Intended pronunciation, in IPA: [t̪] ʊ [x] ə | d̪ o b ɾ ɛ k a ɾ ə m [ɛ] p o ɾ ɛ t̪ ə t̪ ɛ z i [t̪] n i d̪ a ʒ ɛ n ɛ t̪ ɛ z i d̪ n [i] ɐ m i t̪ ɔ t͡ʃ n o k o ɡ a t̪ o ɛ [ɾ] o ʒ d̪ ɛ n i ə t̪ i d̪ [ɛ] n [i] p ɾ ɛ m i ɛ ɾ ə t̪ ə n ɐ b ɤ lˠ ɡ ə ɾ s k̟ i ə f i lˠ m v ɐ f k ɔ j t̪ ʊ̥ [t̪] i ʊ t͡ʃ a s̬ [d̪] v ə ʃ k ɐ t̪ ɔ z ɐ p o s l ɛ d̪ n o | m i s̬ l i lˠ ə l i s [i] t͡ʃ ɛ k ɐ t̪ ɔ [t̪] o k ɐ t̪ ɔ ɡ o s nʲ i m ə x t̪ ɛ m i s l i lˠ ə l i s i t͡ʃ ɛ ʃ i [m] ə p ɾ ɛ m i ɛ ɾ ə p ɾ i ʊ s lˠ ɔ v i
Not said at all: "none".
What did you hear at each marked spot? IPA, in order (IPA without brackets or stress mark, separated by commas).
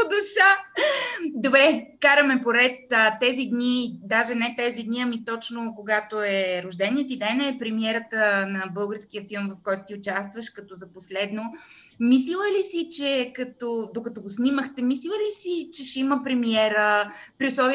d̪, ʃ, ɛ, d̪, i, ɾ, ɛ, ɛ, t̪, t̪, i, d̪, m